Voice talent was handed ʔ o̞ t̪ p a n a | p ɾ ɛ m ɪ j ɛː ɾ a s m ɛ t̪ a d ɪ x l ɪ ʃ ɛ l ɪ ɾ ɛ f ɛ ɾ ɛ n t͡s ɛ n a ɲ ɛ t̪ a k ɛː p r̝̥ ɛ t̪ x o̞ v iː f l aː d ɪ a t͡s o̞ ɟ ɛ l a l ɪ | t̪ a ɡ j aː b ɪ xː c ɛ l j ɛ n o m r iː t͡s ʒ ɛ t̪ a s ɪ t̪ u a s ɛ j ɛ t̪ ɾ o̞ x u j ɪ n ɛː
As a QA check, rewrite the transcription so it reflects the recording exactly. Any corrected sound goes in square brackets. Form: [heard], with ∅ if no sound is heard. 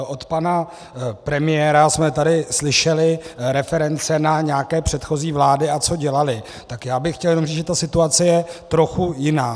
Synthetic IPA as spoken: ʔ o̞ t̪ p a n a | p ɾ ɛ m ɪ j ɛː ɾ a s m ɛ t̪ a d ɪ [s] l ɪ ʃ ɛ l ɪ ɾ ɛ f ɛ ɾ ɛ n t͡s ɛ n a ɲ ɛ [∅] a k ɛː p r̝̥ ɛ t̪ x o̞ [z] iː [v] l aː d ɪ a t͡s o̞ ɟ ɛ l a l ɪ | t̪ a [k] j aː b ɪ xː c ɛ l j ɛ n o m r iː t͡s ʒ ɛ t̪ a s ɪ t̪ u a [t͡s] ɛ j ɛ t̪ ɾ o̞ x u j ɪ n [aː]